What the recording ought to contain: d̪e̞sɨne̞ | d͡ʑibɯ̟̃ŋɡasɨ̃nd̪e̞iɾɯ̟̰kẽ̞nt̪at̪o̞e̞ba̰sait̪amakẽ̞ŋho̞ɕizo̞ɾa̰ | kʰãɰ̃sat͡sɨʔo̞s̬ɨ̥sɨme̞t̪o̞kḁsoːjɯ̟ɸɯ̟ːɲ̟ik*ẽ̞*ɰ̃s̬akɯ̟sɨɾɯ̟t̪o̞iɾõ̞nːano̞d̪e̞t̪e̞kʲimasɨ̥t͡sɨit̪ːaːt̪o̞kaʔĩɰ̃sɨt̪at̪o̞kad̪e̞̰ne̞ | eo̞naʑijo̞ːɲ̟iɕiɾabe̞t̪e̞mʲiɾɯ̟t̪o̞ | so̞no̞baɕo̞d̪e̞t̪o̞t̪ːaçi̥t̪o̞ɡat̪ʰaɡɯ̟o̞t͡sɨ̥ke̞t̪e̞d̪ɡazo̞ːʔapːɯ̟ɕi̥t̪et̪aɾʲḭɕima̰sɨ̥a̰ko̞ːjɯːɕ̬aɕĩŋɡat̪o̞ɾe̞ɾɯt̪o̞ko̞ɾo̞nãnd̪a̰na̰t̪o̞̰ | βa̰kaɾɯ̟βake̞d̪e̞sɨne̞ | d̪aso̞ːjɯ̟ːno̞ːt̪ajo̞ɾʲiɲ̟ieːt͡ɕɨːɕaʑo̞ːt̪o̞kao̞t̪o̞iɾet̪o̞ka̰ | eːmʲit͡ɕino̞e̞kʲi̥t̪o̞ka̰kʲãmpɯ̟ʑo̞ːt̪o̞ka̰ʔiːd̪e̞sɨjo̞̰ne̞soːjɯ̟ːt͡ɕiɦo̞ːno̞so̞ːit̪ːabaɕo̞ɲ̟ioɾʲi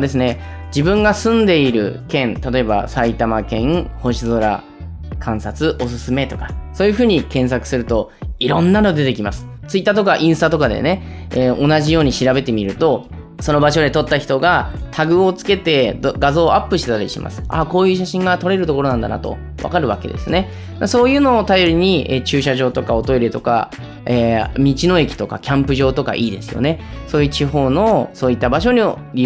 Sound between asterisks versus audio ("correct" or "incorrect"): correct